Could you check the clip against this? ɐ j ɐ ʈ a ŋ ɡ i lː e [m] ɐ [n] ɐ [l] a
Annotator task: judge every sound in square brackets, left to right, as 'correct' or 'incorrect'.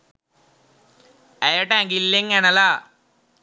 incorrect, correct, correct

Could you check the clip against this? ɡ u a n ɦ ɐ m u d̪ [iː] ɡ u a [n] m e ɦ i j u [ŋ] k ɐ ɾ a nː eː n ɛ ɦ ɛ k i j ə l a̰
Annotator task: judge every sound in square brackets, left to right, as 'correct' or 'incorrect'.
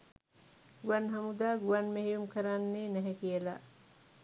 incorrect, correct, incorrect

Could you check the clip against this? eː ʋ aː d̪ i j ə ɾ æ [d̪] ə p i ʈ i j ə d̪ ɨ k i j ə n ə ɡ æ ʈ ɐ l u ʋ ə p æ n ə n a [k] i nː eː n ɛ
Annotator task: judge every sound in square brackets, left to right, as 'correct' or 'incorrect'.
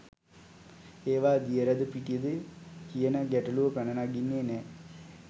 correct, incorrect

